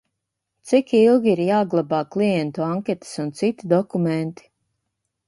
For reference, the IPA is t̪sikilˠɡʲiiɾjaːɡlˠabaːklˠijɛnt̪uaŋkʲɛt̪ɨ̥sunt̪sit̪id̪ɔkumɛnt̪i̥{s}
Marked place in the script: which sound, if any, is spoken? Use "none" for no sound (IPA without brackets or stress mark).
none